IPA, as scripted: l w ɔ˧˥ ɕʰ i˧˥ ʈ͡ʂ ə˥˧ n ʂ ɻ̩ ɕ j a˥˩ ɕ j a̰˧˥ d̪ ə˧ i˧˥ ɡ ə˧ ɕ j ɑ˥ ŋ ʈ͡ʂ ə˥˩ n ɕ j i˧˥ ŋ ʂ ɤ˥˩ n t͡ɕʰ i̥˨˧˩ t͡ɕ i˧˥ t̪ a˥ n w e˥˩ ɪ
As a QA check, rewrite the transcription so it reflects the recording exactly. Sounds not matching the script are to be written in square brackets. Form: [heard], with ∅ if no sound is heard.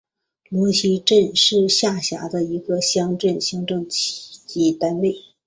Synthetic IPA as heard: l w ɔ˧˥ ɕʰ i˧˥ ʈ͡ʂ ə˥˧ n ʂ ɻ̩ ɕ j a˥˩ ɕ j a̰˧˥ d̪ ə˧ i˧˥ ɡ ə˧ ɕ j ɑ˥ ŋ ʈ͡ʂ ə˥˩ n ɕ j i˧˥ ŋ [ʈ͡ʂ] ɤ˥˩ [ŋ] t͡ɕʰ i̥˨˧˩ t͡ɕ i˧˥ t̪ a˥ n w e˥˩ ɪ